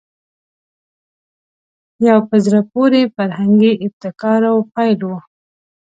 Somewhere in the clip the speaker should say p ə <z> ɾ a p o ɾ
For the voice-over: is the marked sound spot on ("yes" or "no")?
yes